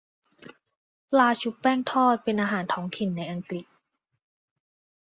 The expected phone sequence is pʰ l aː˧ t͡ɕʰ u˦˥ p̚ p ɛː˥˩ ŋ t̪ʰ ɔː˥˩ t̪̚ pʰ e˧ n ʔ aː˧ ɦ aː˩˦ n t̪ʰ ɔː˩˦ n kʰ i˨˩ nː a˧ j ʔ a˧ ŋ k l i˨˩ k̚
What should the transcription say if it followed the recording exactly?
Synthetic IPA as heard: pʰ l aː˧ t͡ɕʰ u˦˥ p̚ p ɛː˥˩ ŋ t̪ʰ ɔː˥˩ t̪̚ p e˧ n ʔ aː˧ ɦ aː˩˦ n t̪ʰ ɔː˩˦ ŋ kʰ i˨˩ nː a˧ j ʔ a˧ ŋ k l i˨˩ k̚